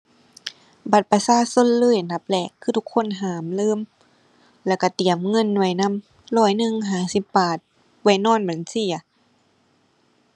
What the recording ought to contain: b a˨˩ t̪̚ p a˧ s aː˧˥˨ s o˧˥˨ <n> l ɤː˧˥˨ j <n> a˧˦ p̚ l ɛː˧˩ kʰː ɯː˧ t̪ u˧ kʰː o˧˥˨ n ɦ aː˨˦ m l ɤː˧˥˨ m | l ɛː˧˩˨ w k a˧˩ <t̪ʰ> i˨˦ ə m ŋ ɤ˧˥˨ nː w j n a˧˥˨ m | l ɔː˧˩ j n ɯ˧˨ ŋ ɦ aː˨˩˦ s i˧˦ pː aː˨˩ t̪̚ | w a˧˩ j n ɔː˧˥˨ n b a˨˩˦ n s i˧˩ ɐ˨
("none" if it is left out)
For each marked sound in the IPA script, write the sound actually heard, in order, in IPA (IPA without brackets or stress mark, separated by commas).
n, n, t̪